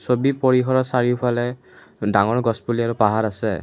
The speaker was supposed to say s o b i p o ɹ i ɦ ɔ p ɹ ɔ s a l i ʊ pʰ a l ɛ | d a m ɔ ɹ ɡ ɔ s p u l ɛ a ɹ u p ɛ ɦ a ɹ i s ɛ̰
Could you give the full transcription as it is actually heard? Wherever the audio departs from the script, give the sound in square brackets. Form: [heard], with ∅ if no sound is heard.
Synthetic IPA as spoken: s o b i p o ɹ i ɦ ɔ [∅] ɹ ɔ s a [ɹ] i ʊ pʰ a l ɛ | d a [ŋ] ɔ ɹ ɡ ɔ s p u l [i] a ɹ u p [a] ɦ a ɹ [a] s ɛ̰